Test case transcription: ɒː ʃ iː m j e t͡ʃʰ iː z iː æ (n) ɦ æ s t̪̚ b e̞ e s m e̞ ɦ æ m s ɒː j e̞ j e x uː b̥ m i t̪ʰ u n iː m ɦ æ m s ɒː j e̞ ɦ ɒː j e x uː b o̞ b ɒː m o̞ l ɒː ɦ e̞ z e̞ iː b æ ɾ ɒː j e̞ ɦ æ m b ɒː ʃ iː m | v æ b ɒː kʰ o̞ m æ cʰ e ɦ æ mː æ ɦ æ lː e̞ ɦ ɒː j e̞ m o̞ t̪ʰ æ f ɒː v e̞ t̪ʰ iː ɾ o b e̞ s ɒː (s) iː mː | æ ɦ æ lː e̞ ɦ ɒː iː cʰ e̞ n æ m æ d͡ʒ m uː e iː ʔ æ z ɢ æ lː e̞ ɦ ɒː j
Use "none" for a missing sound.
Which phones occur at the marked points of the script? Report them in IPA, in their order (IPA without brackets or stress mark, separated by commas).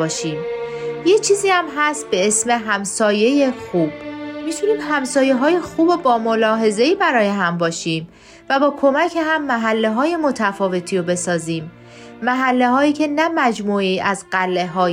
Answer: m, z